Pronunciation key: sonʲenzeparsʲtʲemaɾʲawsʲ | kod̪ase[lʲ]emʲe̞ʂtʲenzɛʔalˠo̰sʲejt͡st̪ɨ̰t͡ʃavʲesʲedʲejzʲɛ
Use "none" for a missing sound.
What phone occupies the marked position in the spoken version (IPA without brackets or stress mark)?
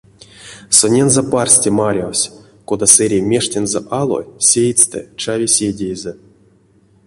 ɾʲ